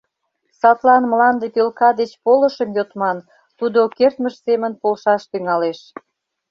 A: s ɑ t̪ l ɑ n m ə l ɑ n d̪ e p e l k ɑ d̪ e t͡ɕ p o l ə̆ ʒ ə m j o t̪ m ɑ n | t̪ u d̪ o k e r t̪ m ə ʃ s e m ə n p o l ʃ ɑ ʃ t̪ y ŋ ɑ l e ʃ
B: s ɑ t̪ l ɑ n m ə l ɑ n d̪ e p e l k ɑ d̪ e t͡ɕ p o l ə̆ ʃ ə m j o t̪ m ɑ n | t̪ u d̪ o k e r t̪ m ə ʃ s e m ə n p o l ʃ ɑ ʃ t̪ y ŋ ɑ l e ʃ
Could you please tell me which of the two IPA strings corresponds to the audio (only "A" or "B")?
B